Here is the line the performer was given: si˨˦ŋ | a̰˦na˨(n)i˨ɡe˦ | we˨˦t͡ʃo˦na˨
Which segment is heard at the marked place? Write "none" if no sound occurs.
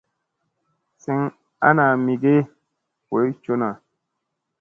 m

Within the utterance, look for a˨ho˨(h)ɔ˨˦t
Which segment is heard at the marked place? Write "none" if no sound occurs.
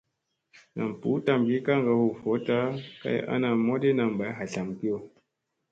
f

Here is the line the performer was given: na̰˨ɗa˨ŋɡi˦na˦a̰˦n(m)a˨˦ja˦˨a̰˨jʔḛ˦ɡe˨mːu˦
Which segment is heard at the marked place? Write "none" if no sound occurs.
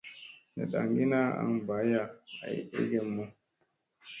b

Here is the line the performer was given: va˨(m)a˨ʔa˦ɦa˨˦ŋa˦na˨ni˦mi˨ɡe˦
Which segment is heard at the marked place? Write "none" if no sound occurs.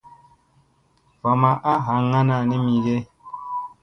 m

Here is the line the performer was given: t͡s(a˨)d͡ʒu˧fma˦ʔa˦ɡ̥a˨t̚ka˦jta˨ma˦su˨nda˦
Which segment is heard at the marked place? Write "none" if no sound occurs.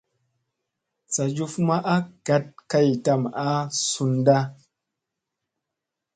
a˨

